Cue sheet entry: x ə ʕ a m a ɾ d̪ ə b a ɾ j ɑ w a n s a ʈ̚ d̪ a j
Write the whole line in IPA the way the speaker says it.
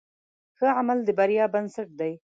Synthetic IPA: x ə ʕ a m a l d̪ ə b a ɾ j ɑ b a n s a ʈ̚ d̪ a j